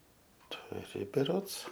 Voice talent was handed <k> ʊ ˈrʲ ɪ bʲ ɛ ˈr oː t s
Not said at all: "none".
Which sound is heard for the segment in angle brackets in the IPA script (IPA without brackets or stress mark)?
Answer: t